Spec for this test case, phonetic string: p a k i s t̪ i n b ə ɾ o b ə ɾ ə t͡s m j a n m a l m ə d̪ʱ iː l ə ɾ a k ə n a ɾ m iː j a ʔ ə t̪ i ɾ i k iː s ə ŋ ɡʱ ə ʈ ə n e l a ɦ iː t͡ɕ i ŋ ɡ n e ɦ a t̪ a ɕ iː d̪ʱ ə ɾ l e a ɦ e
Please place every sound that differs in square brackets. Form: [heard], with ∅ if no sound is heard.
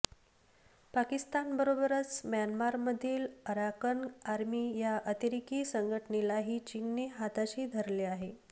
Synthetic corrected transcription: p a k i s t̪ [a] n b ə ɾ o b ə ɾ ə t͡s m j a n m a [ɾ] m ə d̪ʱ iː l ə ɾ a k ə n a ɾ m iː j a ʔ ə t̪ i ɾ i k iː s ə ŋ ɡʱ ə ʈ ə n e l a ɦ iː t͡ɕ i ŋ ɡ n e ɦ a t̪ a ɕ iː d̪ʱ ə ɾ l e a ɦ e